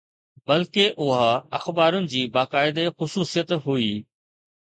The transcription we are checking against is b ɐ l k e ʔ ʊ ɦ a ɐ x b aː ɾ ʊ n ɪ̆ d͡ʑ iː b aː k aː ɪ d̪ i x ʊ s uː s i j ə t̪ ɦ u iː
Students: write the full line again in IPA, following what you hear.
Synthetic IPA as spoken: b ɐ l k e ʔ ʊ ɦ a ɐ x b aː ɾ ʊ n ɪ̆ d͡ʑ iː b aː k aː ɪ d̪ e x ʊ s uː s i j ə t̪ ɦ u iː